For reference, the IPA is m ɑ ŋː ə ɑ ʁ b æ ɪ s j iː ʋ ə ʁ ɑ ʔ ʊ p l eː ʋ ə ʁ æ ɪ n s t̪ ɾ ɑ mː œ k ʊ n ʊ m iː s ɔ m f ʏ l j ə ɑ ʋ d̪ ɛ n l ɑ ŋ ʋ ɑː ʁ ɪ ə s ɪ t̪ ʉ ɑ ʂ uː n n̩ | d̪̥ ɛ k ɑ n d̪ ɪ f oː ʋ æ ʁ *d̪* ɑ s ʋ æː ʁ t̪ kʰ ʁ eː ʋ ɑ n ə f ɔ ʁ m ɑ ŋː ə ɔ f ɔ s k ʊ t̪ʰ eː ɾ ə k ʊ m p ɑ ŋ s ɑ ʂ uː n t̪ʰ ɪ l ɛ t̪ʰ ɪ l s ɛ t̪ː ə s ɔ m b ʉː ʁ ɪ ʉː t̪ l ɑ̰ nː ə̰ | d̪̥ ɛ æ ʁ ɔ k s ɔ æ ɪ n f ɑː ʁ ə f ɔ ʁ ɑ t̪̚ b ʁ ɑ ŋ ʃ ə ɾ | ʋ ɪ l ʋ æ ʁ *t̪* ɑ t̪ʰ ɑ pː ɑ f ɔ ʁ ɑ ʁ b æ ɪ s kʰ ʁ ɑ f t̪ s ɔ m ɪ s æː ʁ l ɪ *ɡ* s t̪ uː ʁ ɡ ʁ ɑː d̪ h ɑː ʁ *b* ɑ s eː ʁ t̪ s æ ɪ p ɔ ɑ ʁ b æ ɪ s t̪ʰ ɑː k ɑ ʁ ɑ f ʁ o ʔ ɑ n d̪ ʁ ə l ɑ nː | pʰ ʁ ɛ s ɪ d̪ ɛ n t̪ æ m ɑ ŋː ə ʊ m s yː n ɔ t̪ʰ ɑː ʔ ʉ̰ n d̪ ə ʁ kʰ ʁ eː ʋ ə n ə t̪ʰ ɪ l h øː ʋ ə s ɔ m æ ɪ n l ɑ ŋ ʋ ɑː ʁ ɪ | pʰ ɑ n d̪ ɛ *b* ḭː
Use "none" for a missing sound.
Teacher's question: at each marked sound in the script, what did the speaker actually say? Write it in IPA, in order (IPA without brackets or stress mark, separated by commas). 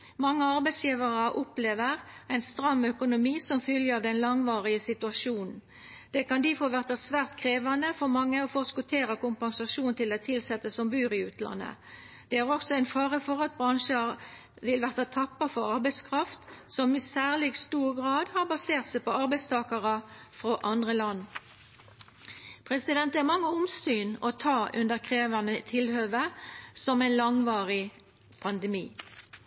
t̪, t̪, ɡ, b, m